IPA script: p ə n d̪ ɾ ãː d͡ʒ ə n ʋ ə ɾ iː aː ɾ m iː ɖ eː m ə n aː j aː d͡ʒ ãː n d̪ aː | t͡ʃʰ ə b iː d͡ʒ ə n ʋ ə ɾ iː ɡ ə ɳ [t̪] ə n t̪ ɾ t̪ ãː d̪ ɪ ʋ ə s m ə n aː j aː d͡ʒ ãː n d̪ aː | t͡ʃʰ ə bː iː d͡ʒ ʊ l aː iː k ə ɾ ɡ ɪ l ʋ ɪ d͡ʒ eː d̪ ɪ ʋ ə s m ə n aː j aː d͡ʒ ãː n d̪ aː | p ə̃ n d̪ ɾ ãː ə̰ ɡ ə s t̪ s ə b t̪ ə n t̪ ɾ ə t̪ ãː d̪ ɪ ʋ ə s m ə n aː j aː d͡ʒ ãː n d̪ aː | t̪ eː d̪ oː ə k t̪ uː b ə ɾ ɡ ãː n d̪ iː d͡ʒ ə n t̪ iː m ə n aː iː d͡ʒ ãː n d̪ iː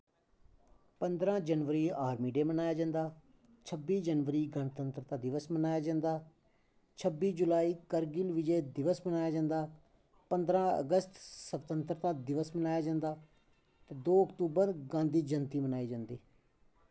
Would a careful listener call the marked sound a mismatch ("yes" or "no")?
no